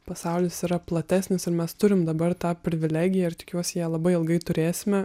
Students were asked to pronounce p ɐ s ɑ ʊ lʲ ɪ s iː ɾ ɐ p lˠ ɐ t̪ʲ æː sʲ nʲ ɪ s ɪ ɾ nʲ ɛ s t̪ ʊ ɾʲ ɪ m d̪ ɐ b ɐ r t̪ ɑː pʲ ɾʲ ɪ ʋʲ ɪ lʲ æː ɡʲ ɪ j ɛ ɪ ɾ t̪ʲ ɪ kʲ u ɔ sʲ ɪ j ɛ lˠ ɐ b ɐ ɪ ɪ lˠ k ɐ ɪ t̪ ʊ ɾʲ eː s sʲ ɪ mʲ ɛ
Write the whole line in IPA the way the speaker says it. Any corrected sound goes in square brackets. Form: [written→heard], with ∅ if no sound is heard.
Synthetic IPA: p ɐ s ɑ ʊ lʲ ɪ s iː ɾ ɐ p lˠ ɐ t̪ʲ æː sʲ nʲ ɪ s ɪ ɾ [nʲ→mʲ] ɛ s t̪ ʊ ɾʲ ɪ m d̪ ɐ b ɐ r t̪ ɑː pʲ ɾʲ ɪ ʋʲ ɪ lʲ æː ɡʲ ɪ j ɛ ɪ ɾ t̪ʲ ɪ kʲ u ɔ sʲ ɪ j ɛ lˠ ɐ b ɐ ɪ ɪ lˠ [k→ɡ] ɐ ɪ t̪ ʊ ɾʲ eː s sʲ ɪ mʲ ɛ